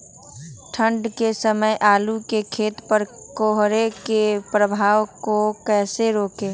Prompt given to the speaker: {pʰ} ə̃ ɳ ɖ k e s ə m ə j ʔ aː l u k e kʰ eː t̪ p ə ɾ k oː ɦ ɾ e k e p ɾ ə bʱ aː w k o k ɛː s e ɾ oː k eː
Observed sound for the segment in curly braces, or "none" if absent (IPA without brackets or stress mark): ʈʰ